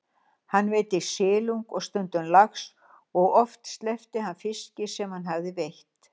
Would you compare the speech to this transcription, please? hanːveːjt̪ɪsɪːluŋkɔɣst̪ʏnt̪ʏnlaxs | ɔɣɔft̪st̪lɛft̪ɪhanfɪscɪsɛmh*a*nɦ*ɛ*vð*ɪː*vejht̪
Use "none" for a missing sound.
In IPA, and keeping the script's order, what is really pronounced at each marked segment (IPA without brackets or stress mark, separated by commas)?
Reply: a, a, ɪ